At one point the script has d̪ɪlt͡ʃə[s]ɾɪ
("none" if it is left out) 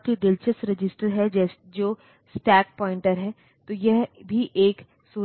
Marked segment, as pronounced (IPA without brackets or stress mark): s